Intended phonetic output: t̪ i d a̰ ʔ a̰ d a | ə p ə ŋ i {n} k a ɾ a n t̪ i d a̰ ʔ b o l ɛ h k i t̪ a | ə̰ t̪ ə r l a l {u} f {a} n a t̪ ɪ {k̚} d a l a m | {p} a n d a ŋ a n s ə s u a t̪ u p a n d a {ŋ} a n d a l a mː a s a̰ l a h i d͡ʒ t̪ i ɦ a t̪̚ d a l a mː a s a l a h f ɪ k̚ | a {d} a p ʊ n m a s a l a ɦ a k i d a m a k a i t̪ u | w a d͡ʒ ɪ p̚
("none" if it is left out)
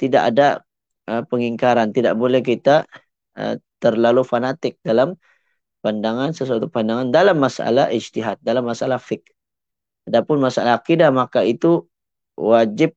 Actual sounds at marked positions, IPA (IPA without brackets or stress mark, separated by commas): ŋ, u, a, k̚, p, ŋ, d